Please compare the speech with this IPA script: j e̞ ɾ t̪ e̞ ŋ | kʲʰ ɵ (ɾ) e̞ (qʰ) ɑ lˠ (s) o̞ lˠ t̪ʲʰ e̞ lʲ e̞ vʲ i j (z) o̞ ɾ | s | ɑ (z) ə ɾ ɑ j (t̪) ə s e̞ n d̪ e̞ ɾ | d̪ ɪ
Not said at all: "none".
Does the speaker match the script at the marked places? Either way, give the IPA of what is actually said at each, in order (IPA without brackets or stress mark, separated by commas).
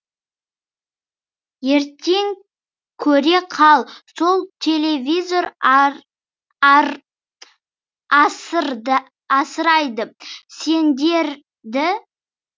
ɾ, qʰ, s, z, s, d̪